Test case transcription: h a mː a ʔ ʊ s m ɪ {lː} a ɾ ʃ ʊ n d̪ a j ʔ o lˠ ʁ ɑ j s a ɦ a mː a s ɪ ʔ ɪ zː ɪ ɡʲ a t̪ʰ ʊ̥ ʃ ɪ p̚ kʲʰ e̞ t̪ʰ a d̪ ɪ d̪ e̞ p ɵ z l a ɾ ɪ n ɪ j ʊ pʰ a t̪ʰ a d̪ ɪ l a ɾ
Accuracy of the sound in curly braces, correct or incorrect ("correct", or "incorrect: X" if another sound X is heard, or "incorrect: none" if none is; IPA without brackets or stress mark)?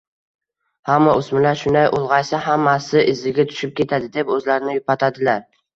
incorrect: l